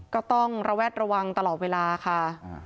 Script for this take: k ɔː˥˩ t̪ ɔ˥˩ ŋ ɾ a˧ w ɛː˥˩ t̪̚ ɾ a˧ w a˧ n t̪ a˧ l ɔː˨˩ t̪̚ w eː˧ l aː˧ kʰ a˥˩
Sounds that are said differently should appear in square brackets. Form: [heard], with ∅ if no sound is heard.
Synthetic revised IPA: k ɔː˥˩ t̪ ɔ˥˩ ŋ ɾ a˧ w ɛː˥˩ t̪̚ ɾ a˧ w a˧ [ŋ] t̪ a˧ l ɔː˨˩ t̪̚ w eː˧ l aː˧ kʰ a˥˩

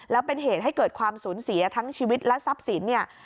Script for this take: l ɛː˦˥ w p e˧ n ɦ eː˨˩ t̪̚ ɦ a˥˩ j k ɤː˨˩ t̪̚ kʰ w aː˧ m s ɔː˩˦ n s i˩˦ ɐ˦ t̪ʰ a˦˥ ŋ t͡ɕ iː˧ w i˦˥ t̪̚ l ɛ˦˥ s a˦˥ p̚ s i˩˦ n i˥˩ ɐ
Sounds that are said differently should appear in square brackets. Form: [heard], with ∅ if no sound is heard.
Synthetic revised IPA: l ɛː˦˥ w p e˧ n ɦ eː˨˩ t̪̚ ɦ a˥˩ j k ɤː˨˩ t̪̚ kʰ w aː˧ m s [uː˩˦] n s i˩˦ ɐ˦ t̪ʰ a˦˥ ŋ [t͡ɕʰ] iː˧ w i˦˥ t̪̚ l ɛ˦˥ s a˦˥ p̚ s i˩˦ [nː] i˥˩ ɐ

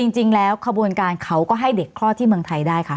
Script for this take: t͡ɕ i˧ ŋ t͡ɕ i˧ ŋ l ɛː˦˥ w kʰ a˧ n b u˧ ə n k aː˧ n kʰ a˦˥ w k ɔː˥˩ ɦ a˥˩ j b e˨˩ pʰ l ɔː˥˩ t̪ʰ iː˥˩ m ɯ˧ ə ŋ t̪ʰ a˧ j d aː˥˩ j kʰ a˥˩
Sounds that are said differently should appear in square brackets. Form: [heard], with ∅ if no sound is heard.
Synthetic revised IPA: t͡ɕ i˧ ŋ t͡ɕ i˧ ŋ l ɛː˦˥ w kʰ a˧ [∅] b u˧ ə n k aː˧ n kʰ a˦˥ w k ɔː˥˩ ɦ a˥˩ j [d] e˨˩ [kʰ] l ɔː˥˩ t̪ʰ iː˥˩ m ɯ˧ ə ŋ t̪ʰ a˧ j d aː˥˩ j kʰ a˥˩

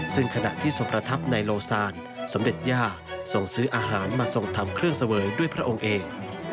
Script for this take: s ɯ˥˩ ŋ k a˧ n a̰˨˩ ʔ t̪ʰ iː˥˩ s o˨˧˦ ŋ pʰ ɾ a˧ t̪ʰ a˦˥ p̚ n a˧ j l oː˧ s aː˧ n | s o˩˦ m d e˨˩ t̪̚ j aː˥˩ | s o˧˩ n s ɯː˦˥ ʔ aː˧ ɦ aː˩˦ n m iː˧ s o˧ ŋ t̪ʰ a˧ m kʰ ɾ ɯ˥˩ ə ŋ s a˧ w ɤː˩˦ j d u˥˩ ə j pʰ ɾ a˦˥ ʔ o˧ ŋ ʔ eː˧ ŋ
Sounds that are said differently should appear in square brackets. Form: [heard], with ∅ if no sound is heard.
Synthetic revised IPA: s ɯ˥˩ ŋ [kʰ] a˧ n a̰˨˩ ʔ t̪ʰ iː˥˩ s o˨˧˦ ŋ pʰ ɾ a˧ t̪ʰ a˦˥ p̚ n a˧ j l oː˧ s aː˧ n | s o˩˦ m d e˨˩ t̪̚ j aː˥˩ | s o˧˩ [ŋ] s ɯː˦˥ ʔ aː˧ ɦ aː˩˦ n m [aː˧] s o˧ ŋ t̪ʰ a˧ m kʰ ɾ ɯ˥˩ ə ŋ s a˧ w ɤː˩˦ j d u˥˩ ə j pʰ ɾ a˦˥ ʔ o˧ ŋ ʔ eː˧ ŋ

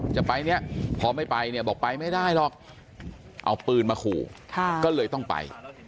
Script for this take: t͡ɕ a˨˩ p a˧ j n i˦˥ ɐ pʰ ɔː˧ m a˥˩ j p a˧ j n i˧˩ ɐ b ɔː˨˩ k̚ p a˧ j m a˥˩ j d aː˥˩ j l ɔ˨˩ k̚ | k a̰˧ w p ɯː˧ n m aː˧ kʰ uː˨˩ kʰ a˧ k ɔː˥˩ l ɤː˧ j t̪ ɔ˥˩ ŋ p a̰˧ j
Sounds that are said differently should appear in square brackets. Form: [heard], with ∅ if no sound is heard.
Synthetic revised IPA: t͡ɕ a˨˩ p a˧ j n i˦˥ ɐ pʰ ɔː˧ m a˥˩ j p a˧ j n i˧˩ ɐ b ɔː˨˩ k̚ p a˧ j m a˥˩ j d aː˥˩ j l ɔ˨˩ k̚ | [ʔ] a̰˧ w p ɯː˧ n m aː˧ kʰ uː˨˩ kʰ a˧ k ɔː˥˩ l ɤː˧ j t̪ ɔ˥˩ ŋ p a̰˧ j

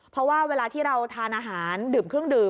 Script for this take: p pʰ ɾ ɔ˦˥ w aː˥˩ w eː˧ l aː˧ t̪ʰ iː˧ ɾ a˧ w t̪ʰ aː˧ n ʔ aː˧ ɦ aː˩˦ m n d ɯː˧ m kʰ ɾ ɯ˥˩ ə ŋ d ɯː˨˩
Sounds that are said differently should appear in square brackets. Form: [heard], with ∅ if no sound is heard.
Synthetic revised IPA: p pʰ ɾ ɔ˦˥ w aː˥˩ w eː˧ l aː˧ t̪ʰ [iː˥˩] ɾ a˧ w t̪ʰ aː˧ n ʔ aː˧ ɦ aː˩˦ [∅] n d [ɯː˨˩] m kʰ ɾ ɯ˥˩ ə ŋ d ɯː˨˩

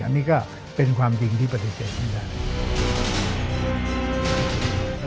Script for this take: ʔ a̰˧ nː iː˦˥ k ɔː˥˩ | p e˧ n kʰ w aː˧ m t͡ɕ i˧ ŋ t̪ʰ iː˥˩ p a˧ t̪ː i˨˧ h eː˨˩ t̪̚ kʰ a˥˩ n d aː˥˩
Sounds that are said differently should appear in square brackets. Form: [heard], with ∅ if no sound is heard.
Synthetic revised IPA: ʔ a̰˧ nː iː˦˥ k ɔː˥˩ | p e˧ n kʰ w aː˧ m t͡ɕ i˧ ŋ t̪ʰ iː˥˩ p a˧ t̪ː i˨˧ [s] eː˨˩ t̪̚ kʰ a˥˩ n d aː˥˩

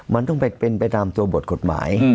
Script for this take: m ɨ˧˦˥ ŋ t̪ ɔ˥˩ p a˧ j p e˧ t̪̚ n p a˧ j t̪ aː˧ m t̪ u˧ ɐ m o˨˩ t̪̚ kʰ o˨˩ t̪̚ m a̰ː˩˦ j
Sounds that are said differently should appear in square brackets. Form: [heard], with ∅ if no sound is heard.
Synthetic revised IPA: m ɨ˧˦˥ [n] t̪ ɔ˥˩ p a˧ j p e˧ [∅] n p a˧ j t̪ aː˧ m t̪ u˧ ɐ [b] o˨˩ t̪̚ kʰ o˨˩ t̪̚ m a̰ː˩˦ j

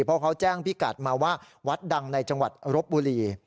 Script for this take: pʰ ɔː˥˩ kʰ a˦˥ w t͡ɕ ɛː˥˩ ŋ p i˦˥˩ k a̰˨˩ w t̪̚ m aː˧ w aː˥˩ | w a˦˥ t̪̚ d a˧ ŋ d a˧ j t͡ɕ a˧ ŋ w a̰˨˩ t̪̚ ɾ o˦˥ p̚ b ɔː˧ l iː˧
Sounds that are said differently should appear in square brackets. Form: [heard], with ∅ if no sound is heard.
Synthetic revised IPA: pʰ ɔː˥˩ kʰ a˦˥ w t͡ɕ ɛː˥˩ ŋ p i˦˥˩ k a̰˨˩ [∅] t̪̚ m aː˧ w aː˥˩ | w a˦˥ t̪̚ d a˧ ŋ [n] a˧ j t͡ɕ a˧ ŋ w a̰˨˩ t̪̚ ɾ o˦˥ p̚ b [uː˧] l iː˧

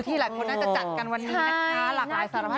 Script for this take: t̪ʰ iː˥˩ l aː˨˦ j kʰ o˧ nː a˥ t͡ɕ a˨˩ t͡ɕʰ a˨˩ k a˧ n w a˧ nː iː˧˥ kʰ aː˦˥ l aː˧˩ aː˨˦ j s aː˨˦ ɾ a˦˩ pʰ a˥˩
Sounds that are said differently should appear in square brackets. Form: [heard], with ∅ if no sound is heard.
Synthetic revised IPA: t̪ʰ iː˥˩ l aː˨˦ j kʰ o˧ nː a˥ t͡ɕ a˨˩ [t͡ɕ] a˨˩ k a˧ n w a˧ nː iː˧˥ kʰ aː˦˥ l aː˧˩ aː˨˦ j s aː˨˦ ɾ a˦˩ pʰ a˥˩

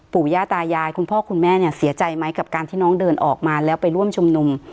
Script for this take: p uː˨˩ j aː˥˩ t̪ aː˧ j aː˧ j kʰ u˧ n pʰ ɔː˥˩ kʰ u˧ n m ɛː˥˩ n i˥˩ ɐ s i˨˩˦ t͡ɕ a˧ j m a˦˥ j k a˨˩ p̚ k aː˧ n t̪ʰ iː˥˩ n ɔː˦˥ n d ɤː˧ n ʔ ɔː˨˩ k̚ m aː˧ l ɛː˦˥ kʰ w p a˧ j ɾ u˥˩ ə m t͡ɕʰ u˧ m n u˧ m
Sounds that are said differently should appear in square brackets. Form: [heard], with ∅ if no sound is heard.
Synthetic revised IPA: p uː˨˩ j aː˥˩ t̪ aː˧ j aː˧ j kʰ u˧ n pʰ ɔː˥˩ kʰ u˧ n m ɛː˥˩ n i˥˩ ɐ s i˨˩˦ t͡ɕ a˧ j m a˦˥ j k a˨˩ p̚ k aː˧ n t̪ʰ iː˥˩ n ɔː˦˥ [ŋ] d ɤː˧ n ʔ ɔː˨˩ k̚ m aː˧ l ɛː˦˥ [∅] w p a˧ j ɾ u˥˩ ə m t͡ɕʰ u˧ m n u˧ m

